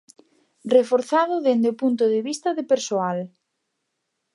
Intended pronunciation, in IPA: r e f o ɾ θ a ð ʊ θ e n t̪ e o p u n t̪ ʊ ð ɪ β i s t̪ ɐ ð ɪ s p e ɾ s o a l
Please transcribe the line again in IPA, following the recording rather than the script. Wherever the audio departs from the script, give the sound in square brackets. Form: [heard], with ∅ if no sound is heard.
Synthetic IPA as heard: r e f o ɾ θ a ð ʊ [ð] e n [d̪] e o p u n t̪ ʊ ð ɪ β i s t̪ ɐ ð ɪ [∅] p e ɾ s o a l